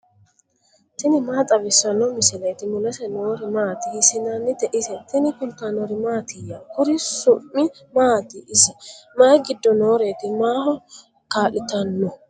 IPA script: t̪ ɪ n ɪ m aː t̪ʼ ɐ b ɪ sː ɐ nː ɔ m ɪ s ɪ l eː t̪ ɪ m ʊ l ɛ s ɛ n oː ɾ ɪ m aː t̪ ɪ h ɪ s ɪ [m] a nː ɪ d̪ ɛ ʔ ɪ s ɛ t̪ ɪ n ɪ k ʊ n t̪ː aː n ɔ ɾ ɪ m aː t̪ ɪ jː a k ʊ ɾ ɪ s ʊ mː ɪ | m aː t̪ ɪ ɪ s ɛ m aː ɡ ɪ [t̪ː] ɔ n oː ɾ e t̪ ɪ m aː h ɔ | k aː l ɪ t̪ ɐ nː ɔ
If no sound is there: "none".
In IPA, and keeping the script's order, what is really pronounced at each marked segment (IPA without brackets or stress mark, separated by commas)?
n, d̪ː